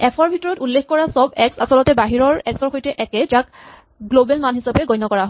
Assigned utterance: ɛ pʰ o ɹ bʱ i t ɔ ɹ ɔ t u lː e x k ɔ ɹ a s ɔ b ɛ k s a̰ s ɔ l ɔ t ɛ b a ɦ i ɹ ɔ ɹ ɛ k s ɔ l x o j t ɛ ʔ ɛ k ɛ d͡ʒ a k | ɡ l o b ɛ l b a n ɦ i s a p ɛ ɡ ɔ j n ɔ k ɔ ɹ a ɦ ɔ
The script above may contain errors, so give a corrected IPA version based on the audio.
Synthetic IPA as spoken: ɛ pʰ ɔ ɹ bʱ i t ɔ ɹ ɔ t u lː e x k ɔ ɹ a s ɔ b ɛ k s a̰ s ɔ l ɔ t ɛ b a ɦ i ɹ ɔ ɹ ɛ k s ɔ ɹ x o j t ɛ ʔ ɛ k ɛ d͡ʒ a k | ɡ l o b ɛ l m a n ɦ i s a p ɛ ɡ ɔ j n ɔ k ɔ ɹ a ɦ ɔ